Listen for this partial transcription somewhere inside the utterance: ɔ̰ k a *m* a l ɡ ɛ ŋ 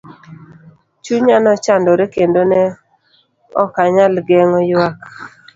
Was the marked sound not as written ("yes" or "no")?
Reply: yes